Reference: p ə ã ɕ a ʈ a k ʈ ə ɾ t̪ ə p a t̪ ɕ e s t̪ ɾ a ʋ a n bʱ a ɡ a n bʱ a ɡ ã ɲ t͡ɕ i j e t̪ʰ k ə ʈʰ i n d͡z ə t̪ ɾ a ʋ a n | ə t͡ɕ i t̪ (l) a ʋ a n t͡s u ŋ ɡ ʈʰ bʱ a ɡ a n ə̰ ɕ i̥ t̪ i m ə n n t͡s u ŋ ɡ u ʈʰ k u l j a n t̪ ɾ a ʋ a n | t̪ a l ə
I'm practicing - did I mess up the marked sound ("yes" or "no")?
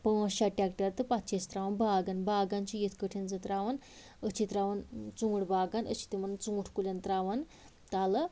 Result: yes